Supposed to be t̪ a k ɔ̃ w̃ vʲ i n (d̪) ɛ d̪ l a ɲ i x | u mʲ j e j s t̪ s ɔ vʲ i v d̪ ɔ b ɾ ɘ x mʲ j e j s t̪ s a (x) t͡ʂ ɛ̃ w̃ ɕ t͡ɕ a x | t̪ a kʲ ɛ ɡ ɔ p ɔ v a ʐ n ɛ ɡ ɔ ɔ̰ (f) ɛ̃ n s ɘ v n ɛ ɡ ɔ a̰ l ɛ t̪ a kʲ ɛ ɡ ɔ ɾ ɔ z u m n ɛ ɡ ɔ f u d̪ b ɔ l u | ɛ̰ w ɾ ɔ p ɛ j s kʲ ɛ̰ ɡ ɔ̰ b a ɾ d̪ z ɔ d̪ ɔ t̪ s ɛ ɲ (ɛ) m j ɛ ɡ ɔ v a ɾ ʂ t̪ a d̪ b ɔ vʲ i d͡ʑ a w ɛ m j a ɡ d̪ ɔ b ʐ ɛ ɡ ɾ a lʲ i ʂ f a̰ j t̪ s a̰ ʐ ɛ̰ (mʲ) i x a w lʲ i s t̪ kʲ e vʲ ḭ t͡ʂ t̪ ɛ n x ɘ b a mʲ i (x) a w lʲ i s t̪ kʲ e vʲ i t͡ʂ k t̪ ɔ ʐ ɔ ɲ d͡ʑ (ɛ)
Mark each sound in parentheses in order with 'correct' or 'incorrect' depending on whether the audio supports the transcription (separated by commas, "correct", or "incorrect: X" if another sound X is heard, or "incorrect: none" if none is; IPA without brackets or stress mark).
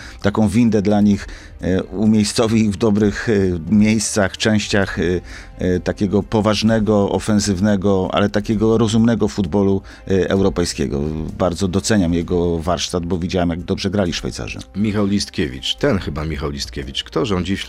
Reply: correct, correct, correct, incorrect: a, correct, correct, incorrect: i